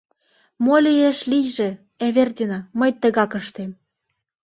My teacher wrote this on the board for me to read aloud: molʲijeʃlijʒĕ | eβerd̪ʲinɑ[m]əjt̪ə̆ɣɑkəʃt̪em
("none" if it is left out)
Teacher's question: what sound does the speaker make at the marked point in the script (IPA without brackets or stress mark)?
m